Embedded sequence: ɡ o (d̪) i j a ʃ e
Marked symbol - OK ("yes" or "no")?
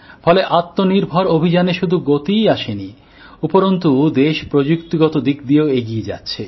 no